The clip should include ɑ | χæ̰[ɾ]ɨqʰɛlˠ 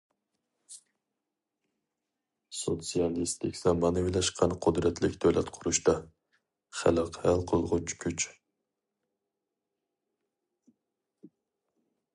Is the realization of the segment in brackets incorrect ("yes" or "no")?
yes